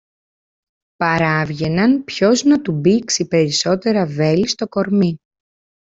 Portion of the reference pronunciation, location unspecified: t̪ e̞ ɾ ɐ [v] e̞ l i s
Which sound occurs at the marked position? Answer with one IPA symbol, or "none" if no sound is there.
v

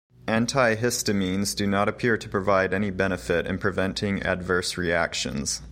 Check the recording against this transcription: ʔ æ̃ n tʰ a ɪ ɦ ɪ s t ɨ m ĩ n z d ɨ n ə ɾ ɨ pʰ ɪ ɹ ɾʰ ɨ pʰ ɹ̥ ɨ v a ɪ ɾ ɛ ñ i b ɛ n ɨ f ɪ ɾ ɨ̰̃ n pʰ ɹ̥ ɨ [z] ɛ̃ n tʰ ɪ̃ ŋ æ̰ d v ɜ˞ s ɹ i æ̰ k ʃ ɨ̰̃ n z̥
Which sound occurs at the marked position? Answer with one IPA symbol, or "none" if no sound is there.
v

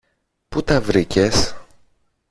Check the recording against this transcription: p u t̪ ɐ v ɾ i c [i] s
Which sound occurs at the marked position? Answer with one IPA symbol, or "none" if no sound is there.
e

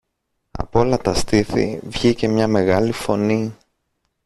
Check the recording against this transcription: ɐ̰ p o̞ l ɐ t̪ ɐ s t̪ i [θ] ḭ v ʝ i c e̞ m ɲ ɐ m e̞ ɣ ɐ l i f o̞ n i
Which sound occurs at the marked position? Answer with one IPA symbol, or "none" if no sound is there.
θ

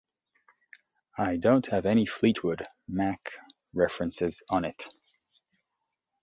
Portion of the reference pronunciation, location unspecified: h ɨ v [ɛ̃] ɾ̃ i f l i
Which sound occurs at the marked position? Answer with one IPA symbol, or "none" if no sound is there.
ɛ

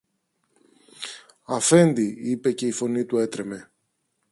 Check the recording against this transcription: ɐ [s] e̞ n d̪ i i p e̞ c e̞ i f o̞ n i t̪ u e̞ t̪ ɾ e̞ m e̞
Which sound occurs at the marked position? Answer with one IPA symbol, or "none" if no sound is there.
f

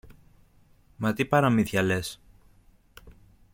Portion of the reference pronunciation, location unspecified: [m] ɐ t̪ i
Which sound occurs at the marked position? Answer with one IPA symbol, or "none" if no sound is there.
m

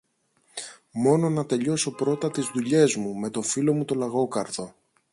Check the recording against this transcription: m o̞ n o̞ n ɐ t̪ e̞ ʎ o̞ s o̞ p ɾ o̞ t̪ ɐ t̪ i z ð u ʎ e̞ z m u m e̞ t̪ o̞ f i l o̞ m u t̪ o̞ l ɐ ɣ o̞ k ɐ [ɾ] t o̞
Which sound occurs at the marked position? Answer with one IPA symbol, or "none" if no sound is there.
ɾ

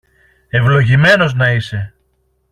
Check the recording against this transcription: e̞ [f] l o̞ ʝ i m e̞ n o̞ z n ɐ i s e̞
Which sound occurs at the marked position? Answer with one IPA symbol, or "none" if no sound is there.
v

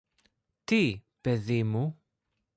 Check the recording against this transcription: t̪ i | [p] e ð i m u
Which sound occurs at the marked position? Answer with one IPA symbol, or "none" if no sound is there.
p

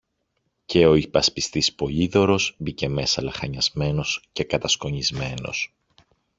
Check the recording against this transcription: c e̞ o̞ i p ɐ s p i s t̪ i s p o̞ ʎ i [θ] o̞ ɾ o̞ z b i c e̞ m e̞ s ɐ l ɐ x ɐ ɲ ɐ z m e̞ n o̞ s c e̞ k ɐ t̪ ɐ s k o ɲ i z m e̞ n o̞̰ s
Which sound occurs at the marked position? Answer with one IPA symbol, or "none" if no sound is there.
ð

